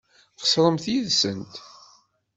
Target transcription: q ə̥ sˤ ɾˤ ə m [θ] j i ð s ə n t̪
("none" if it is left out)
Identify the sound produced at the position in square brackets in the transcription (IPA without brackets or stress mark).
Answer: θ